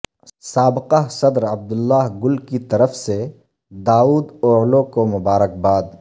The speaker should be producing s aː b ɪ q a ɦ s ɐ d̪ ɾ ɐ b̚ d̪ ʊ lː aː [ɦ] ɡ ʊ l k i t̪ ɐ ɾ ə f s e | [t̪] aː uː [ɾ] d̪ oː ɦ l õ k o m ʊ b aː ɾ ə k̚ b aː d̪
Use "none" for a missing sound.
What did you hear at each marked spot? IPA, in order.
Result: ɦ, d̪, none

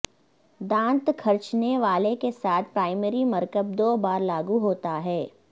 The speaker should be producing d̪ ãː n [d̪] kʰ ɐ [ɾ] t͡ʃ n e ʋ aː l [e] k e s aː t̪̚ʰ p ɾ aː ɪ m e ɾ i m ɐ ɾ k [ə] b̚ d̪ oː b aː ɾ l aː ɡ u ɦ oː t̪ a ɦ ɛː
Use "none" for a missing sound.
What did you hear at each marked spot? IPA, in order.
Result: t̪, ɾ, e, ə

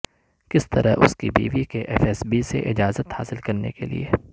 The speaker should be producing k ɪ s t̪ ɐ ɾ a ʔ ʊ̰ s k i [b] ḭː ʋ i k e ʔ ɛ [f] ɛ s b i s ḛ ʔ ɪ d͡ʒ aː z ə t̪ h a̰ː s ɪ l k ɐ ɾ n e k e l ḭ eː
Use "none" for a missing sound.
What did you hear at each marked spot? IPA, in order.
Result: b, f

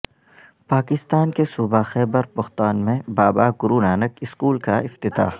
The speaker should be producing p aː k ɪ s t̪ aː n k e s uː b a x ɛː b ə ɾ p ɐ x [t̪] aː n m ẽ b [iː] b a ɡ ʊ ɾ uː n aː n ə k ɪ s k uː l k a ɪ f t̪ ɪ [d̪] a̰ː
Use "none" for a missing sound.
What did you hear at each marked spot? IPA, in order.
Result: t̪, aː, t̪

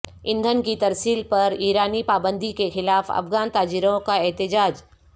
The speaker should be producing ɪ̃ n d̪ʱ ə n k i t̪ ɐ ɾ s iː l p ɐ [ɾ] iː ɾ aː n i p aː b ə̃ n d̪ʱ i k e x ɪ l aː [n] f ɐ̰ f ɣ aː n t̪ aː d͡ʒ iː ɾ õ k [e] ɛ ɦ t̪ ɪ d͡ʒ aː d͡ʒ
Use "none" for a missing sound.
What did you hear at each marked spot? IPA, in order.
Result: ɾ, none, a

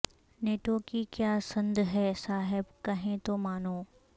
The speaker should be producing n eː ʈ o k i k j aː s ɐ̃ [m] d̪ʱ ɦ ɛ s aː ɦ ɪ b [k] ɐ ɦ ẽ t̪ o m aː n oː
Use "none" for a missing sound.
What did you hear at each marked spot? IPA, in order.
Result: n, k

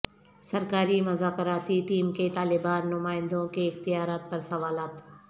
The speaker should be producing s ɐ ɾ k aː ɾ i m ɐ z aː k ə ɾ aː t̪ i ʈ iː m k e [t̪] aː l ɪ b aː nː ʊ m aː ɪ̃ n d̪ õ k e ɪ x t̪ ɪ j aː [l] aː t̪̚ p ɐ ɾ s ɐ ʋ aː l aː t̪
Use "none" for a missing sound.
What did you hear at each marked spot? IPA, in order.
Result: t̪, ɾ

